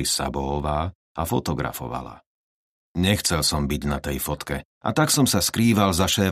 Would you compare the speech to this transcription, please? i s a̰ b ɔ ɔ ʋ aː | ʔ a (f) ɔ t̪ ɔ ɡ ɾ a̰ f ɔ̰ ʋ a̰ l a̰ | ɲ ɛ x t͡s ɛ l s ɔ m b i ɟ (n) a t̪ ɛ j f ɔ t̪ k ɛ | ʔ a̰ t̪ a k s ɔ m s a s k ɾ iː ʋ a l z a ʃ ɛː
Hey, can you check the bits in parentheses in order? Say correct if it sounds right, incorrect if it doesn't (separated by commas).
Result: correct, correct